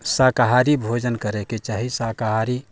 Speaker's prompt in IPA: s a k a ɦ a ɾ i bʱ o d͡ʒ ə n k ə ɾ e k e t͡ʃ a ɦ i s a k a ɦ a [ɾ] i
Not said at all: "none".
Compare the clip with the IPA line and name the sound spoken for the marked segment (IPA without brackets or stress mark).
ɾ